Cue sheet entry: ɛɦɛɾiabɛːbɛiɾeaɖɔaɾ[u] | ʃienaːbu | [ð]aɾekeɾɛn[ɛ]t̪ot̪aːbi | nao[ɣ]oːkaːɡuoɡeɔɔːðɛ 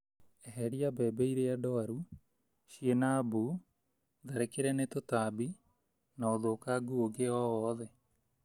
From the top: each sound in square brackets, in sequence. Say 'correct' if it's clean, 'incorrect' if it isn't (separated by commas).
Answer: correct, correct, incorrect, incorrect